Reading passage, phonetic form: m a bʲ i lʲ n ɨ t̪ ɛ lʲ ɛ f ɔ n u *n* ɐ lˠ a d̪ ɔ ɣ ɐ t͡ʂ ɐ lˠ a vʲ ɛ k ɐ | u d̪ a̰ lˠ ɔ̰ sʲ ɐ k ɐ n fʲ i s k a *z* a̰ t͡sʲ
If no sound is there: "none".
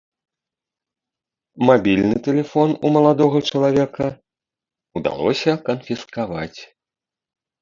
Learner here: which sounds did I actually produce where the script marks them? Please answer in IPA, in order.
m, v

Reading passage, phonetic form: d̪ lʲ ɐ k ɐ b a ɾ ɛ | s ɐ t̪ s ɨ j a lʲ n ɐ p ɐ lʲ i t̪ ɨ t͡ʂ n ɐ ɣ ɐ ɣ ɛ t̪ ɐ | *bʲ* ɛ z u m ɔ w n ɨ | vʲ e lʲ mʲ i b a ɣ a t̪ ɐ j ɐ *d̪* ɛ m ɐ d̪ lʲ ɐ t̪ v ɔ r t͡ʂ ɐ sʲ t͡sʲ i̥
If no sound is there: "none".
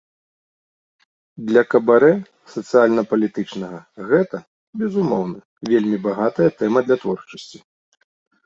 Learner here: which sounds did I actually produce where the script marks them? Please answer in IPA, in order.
bʲ, t̪

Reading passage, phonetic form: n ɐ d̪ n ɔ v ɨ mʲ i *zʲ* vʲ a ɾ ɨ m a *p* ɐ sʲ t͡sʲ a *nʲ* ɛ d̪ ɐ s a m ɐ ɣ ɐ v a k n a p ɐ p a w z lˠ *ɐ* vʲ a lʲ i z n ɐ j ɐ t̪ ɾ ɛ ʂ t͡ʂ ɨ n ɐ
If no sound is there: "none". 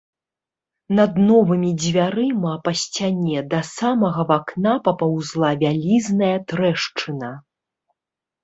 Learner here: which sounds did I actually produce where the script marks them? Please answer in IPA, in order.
d͡zʲ, p, nʲ, a

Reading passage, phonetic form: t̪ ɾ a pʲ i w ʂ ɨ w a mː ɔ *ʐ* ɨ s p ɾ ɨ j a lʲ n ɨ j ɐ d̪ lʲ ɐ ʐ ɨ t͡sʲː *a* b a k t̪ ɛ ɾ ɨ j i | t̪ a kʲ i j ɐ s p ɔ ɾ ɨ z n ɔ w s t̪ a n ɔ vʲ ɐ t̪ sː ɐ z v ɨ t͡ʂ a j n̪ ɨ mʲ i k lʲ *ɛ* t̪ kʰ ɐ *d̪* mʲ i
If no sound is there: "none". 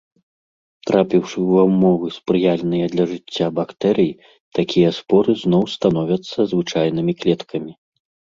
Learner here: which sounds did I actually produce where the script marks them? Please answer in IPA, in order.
v, a, ɛ, none

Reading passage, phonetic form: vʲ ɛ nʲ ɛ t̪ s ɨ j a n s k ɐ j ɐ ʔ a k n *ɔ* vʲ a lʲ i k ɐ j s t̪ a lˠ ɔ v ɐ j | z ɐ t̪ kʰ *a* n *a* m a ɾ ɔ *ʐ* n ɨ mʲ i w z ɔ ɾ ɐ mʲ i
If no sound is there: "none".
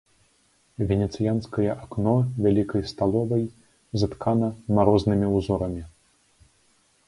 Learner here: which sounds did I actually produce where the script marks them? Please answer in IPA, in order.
ɔ, a, ɐ, z

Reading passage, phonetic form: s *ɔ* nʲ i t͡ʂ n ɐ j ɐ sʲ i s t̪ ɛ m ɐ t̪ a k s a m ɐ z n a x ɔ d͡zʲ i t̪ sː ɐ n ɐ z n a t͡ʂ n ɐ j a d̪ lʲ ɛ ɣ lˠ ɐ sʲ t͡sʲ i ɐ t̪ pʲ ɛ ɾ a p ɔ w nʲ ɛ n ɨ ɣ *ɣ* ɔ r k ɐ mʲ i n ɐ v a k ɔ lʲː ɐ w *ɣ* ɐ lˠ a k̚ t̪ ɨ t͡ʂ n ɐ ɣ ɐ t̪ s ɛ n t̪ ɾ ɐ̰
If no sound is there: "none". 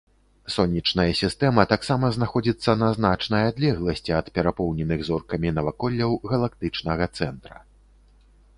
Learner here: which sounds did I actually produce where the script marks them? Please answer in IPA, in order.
ɔ, z, ɣ

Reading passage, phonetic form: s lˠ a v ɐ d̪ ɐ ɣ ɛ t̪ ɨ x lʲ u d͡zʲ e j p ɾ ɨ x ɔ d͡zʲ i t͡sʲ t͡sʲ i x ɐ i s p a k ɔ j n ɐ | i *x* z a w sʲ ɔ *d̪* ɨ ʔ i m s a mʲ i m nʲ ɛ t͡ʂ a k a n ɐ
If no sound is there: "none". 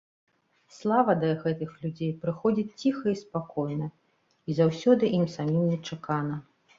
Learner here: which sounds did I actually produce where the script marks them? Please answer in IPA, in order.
none, d̪

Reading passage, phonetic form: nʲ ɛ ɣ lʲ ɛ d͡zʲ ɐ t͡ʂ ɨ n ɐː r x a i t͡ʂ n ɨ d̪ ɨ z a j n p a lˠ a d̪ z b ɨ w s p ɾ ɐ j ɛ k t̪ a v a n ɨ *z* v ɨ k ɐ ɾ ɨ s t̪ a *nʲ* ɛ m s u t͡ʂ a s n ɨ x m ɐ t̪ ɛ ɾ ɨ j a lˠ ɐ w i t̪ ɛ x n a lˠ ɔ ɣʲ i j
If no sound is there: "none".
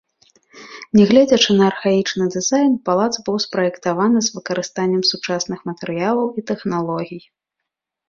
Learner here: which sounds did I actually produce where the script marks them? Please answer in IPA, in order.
z, nʲː

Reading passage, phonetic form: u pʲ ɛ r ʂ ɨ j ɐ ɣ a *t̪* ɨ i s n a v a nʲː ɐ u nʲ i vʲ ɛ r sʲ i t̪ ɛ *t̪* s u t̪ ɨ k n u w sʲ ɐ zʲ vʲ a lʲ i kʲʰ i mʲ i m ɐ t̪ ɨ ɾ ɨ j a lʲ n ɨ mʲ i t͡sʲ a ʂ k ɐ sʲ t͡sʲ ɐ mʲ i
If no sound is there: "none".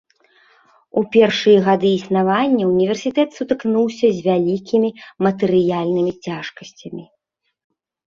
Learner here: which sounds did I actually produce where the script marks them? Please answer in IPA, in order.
d̪, t̪

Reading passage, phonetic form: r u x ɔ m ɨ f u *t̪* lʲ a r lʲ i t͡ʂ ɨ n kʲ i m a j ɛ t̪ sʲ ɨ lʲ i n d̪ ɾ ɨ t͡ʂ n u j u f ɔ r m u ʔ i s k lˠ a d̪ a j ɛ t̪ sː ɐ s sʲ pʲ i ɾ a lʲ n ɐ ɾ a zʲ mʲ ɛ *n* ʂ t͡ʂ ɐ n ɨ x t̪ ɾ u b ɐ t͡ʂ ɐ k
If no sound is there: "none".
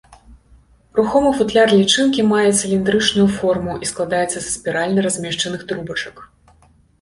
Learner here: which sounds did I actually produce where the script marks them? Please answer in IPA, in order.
t̪, none

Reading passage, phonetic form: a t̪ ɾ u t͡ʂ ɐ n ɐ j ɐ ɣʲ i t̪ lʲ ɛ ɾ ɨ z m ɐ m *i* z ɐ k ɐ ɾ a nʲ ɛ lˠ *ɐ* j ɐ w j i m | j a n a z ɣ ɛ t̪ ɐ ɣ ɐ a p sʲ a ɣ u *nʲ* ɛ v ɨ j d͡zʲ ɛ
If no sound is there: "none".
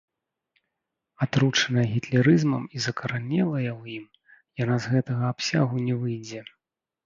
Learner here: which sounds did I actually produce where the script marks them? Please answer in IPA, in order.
i, ɐ, nʲ

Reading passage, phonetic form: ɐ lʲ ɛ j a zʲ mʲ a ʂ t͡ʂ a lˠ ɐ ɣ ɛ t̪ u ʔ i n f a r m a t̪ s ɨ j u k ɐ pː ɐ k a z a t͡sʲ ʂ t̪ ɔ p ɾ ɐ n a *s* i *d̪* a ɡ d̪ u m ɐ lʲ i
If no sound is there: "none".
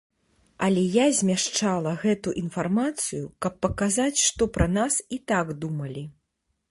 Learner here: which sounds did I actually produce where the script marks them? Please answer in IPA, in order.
s, t̪

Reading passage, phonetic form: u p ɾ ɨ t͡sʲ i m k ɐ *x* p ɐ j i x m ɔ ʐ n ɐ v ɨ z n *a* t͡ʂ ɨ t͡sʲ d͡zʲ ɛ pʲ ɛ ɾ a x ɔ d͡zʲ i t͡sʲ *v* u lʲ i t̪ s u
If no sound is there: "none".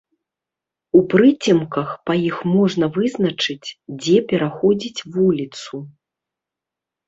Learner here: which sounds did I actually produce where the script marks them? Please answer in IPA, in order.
x, ɐ, v

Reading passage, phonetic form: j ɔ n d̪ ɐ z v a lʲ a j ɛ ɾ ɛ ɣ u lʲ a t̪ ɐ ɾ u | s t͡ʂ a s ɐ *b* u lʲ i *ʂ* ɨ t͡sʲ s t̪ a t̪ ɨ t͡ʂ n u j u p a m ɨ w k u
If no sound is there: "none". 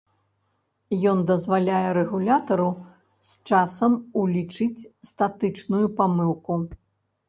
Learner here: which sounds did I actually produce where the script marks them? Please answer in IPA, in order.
m, t͡ʂ

